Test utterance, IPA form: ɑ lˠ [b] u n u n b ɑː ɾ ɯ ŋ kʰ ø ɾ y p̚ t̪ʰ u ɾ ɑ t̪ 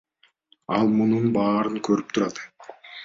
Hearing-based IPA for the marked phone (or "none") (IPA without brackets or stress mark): m